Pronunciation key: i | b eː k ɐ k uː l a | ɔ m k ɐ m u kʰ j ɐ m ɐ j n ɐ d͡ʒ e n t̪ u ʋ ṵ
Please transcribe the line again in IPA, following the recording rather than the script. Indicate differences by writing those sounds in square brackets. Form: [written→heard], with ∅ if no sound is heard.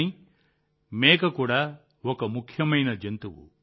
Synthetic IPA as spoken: i | [b→m] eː k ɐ k uː [l→ɽ] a | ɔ [m→∅] k ɐ m u kʰ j ɐ m ɐ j n ɐ d͡ʒ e n t̪ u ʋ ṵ